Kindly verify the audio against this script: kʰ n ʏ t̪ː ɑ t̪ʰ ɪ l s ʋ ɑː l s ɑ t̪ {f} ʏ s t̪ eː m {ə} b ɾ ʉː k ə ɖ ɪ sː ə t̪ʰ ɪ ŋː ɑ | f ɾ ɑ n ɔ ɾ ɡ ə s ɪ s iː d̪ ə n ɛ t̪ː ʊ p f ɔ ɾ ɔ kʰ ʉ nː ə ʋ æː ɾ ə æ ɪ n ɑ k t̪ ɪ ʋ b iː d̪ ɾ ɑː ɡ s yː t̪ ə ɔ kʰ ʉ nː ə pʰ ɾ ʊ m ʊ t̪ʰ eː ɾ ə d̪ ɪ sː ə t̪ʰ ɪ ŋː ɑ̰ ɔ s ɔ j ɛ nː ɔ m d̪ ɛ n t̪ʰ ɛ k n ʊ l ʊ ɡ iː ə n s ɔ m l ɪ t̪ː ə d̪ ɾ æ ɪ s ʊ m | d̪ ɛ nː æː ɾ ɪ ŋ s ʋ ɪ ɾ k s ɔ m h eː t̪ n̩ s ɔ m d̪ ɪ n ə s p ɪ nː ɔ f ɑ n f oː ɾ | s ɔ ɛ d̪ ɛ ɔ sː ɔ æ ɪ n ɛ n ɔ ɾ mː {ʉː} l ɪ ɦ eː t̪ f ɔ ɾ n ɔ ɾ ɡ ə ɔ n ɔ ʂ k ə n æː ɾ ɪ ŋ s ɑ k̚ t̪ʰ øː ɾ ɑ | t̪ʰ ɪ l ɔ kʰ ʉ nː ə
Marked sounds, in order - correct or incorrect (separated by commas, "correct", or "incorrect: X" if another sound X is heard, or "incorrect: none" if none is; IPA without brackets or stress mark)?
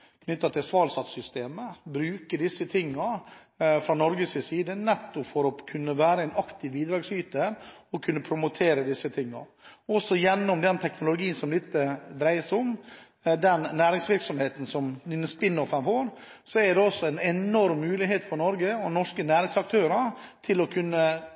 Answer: incorrect: s, correct, correct